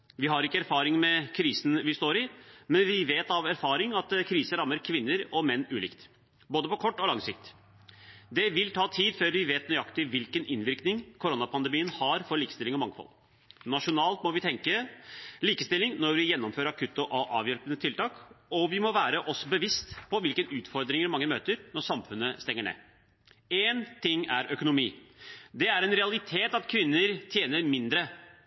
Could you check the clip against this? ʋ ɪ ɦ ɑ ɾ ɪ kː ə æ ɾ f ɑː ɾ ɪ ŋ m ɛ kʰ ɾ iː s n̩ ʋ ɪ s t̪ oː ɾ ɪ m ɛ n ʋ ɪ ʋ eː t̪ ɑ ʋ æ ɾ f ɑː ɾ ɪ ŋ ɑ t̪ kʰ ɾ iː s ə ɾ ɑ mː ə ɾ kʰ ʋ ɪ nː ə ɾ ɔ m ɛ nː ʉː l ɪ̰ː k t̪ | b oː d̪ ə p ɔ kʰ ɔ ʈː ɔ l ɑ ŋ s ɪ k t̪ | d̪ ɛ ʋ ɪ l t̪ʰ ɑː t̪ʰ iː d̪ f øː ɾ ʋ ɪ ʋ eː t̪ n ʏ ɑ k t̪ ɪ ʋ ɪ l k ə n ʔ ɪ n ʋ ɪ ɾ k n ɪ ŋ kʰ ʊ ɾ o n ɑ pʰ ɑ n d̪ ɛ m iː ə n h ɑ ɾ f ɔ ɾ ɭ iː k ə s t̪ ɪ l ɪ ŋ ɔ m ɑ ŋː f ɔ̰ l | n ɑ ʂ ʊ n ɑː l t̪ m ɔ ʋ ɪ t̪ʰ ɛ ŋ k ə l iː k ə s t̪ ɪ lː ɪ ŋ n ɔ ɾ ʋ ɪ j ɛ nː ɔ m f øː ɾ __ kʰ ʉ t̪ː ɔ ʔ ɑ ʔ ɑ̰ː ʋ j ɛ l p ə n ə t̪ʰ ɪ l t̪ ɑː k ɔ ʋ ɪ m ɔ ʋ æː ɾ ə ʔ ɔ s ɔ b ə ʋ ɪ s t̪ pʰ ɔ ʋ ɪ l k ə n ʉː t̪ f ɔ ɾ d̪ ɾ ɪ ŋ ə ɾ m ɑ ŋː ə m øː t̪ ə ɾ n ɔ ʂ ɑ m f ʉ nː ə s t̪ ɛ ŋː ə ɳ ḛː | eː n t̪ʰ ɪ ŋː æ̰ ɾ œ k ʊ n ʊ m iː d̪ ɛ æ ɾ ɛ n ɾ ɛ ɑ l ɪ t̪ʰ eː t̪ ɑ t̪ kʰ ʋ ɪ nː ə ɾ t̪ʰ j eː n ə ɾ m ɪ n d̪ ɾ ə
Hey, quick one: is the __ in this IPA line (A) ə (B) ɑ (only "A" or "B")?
B